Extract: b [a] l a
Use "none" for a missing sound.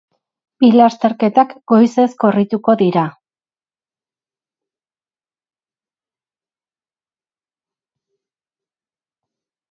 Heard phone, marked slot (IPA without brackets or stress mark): i